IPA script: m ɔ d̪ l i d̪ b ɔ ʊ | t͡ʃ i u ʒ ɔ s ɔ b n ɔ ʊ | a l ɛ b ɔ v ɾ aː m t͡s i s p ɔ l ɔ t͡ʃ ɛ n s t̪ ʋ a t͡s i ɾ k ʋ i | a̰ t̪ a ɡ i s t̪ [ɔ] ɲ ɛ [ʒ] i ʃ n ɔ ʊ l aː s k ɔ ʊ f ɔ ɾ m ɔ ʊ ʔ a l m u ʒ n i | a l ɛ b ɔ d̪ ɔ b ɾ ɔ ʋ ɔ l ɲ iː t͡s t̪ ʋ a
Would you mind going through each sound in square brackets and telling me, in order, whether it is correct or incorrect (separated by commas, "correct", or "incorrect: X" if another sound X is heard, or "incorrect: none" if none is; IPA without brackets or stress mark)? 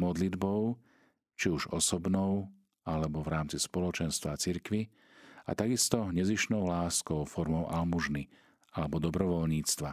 correct, incorrect: z